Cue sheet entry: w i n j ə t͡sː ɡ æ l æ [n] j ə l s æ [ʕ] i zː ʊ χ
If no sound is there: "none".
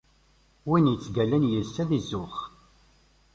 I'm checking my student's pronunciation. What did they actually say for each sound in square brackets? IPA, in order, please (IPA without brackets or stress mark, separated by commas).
n, ð